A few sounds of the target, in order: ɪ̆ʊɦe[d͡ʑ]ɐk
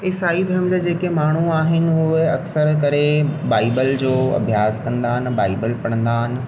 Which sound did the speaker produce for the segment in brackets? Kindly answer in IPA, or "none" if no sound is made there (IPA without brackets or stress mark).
none